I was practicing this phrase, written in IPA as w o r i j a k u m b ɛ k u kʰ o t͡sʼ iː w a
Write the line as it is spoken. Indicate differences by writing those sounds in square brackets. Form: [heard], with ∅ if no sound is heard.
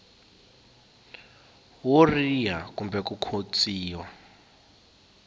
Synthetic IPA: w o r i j a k u m b ɛ k u kʰ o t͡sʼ iː w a